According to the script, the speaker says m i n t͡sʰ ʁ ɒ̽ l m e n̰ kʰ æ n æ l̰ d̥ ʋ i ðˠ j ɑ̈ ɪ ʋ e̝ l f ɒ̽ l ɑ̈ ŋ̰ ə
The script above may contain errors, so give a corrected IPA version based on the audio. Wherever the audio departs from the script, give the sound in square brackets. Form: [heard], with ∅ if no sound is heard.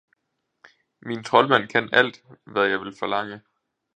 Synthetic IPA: m i n t͡sʰ ʁ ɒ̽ l m [æ] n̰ kʰ æ n æ l̰ d̥ ʋ [æ] ðˠ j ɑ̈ ɪ ʋ e̝ l f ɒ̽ l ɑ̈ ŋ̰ ə